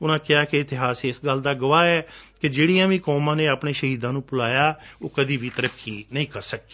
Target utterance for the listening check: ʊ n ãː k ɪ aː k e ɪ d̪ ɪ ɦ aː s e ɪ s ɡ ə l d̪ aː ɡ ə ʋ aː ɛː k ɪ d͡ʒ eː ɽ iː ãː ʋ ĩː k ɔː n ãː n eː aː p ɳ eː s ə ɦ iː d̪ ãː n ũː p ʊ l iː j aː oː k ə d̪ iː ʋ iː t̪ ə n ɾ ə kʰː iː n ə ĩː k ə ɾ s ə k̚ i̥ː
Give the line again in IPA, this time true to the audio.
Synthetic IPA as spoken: ʊ n ãː k ɪ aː k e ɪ t̪ ɪ ɦ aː s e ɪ s ɡ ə l d̪ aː ɡ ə ʋ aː ɛː k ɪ d͡ʒ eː ɽ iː ãː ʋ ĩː k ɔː m ãː n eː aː p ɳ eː ʃ ə ɦ iː d̪ ãː n ũː p ʊ l aː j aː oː k ə d̪ iː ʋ iː t̪ ə ɾ ə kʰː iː n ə ĩː k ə ɾ s ə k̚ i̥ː

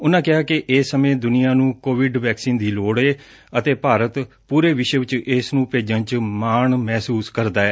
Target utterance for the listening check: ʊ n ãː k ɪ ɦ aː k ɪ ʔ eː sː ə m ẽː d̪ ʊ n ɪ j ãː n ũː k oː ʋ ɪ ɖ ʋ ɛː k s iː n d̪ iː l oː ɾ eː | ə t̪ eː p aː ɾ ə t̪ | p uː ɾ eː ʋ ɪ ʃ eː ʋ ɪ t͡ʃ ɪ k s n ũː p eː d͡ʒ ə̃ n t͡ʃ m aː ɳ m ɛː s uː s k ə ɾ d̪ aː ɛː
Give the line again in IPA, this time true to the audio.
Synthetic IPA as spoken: ʊ n ãː k ɪ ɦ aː k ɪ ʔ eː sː ə m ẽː d̪ ʊ n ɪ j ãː n ũː k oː ʋ ɪ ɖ ʋ ɛː k s iː n d̪ iː l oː ɽ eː | ə t̪ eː p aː ɾ ə t̪ | p uː ɾ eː ʋ ɪ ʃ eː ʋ ɪ t͡ʃ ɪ s n ũː p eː d͡ʒ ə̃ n t͡ʃ m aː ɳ m ɛː s uː s k ə ɾ d̪ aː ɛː

